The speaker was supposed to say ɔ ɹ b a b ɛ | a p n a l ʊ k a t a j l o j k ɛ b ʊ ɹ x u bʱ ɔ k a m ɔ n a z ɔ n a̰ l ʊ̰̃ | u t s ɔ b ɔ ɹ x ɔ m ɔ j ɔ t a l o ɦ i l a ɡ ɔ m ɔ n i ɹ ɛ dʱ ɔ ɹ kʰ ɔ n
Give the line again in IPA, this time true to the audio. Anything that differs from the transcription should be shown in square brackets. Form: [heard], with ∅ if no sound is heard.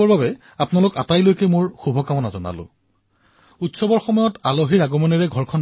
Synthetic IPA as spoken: ɔ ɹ b a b ɛ | a p n a l ʊ k a t a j l o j k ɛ [m] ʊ ɹ x u bʱ ɔ k a m ɔ n a z ɔ n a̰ l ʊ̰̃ | u t s ɔ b ɔ ɹ x ɔ m ɔ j ɔ t a l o ɦ i [ɹ] a ɡ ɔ m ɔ n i ɹ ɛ [ɡʱ] ɔ ɹ kʰ ɔ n